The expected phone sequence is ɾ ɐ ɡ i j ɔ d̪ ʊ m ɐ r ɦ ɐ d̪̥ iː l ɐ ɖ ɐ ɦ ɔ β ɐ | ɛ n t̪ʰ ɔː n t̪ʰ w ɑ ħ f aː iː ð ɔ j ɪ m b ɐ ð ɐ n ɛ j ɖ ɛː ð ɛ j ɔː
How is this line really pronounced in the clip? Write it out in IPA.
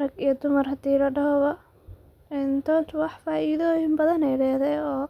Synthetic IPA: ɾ ɐ ɡ i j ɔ d̪ ʊ m ɐ r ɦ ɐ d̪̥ iː l ɐ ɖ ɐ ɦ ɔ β ɐ | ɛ n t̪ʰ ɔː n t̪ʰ w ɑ ħ f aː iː ð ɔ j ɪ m b ɐ ð ɐ n ɛ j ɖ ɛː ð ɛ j ɔː